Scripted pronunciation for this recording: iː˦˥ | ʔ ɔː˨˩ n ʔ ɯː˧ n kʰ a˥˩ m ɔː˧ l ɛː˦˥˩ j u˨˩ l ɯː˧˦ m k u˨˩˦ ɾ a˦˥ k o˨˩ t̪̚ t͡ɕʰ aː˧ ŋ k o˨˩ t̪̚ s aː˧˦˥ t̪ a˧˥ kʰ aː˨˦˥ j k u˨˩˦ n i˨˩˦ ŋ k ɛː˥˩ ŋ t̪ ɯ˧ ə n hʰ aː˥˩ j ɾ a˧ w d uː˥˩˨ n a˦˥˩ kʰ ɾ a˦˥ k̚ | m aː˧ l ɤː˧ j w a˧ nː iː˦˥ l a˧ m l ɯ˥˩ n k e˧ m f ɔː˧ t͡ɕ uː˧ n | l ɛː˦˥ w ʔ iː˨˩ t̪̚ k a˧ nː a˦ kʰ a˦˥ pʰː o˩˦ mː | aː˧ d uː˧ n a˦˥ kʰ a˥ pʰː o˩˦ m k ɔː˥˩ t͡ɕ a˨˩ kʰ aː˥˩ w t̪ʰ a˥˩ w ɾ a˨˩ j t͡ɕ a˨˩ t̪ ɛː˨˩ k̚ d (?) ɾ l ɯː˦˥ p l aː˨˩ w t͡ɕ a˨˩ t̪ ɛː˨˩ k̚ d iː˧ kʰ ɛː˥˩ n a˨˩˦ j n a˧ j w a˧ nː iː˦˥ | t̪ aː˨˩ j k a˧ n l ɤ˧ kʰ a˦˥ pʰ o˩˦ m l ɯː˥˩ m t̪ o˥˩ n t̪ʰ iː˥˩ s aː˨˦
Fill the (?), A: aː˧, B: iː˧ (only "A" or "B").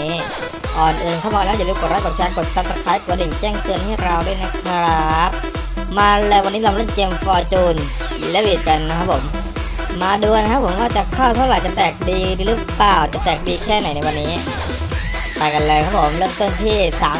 B